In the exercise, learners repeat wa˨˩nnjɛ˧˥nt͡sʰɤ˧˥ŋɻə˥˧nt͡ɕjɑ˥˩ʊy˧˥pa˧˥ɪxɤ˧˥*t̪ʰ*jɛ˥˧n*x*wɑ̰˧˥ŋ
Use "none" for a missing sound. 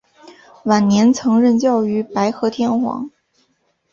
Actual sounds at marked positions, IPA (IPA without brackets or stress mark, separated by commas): t̪ʰ, x